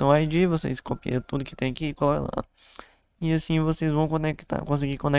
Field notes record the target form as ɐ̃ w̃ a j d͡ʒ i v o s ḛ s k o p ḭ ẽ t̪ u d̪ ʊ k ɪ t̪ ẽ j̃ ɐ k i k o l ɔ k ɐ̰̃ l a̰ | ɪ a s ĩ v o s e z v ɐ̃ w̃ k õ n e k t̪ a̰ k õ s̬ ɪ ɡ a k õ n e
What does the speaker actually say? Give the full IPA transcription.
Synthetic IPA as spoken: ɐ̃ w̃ a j d͡ʒ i v o s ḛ s k o p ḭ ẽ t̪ u d̪ ʊ k ɪ t̪ ẽ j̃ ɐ k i k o l ɔ k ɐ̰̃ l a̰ | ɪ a s ĩ v o s e z v ɐ̃ w̃ k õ n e k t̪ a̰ k õ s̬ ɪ ɡ i k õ n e